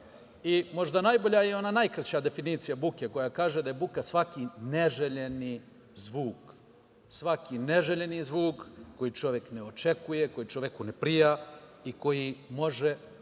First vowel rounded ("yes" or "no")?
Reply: no